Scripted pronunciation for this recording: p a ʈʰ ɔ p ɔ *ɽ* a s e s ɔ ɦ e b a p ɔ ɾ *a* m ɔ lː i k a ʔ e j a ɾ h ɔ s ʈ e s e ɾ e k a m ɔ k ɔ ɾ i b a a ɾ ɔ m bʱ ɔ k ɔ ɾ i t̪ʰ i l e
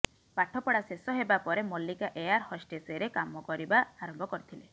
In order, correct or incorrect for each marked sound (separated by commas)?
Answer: correct, incorrect